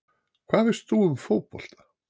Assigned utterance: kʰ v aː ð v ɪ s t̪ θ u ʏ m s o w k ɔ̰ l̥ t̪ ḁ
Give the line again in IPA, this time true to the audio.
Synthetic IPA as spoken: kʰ v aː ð v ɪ s t̪ θ u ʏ m f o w p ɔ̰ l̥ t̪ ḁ